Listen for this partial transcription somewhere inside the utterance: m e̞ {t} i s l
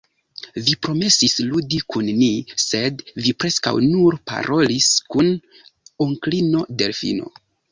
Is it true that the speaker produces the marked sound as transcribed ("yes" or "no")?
no